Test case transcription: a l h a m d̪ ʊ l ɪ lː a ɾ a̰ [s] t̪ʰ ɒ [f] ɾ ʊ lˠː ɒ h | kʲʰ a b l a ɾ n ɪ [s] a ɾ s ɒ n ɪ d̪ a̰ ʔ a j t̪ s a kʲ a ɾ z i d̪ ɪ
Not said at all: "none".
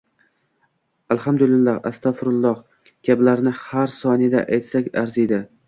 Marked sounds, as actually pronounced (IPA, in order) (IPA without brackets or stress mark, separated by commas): s, f, h